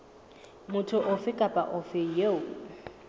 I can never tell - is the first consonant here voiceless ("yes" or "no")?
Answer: no